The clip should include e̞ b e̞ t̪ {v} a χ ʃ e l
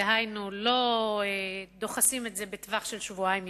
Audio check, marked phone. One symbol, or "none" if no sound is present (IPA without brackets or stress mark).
v